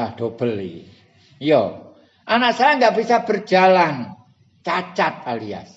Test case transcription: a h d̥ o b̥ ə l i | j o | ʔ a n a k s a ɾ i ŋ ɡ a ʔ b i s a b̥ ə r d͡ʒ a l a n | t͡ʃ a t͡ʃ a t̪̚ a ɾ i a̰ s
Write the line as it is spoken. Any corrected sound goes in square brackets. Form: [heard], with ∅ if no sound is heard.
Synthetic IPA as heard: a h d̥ o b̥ ə l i | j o | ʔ a n a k s a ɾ [a] ŋ ɡ a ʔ b i s a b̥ ə r d͡ʒ a l a n | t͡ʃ a t͡ʃ a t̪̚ a [l] i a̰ s